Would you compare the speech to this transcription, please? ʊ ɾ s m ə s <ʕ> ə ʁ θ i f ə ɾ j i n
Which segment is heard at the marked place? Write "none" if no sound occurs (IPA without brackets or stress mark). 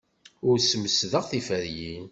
ð